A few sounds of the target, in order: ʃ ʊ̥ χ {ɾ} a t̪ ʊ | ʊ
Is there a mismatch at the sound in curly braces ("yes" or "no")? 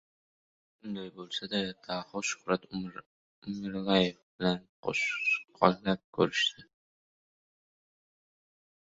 no